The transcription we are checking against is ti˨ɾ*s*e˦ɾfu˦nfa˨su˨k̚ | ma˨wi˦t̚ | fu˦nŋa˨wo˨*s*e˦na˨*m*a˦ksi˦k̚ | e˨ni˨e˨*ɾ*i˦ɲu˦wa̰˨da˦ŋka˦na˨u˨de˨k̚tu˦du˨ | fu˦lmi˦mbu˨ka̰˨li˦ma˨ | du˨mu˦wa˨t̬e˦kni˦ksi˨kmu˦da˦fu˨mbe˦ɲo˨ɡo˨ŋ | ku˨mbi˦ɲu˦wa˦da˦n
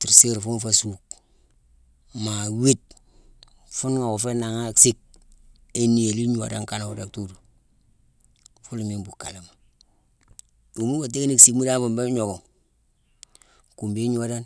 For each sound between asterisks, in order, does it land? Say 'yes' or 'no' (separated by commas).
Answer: yes, no, no, no